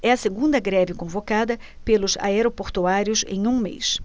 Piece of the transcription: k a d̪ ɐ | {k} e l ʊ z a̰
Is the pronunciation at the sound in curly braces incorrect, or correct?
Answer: incorrect